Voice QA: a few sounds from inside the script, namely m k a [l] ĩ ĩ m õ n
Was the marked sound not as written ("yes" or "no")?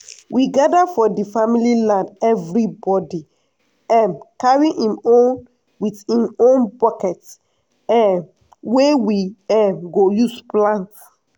yes